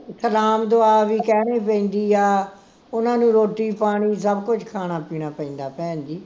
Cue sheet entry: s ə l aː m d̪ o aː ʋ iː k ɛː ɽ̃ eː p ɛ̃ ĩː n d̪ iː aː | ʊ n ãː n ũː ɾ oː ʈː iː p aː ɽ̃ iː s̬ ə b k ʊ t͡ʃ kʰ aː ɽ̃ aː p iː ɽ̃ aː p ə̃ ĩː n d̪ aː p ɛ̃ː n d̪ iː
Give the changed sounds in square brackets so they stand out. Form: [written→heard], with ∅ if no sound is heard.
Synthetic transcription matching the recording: s ə l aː m d̪ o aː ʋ iː k ɛː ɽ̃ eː p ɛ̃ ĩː n d̪ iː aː | ʊ n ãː n ũː ɾ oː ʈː iː p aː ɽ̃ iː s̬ ə b k ʊ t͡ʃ kʰ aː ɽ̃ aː p iː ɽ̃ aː p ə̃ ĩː n d̪ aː p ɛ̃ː n d̪ iː

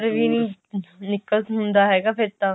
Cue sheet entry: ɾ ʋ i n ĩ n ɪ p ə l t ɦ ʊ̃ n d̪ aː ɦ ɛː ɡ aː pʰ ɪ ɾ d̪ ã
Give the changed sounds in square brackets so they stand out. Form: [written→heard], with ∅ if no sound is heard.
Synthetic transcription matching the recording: ɾ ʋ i n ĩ n ɪ [p→k] ə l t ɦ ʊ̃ n d̪ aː ɦ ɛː ɡ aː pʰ ɪ ɾ [d̪→t̪] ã

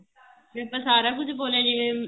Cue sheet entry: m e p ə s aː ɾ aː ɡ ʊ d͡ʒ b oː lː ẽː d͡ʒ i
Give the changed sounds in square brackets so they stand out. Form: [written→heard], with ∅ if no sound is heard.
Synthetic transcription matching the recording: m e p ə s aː ɾ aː [ɡ→k] ʊ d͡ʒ b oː [lː→l] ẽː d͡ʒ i

